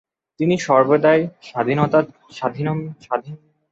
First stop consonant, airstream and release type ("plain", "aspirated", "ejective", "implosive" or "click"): plain